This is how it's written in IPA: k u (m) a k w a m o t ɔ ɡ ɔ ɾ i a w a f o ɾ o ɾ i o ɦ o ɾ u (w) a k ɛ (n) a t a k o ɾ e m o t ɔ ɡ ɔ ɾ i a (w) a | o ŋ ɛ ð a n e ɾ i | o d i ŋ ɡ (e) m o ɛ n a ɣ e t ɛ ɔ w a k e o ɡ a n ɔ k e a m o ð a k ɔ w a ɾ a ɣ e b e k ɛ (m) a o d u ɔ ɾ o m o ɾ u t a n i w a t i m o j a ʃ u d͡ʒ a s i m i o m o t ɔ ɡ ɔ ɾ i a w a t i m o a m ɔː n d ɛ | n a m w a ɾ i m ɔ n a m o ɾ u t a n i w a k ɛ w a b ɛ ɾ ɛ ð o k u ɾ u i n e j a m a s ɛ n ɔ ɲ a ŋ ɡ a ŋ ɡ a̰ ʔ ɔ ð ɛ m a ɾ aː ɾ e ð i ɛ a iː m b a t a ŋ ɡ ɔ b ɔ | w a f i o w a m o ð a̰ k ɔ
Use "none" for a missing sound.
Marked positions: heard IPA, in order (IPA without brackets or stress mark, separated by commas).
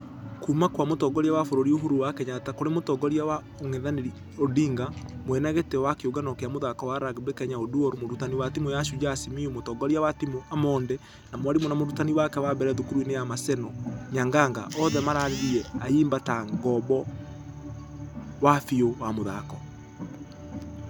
m, w, ɲ, w, a, ɲ